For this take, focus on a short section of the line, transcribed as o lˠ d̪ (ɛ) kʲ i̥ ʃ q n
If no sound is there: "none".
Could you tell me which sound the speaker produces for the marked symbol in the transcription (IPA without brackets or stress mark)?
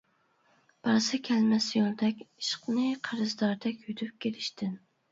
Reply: ɛ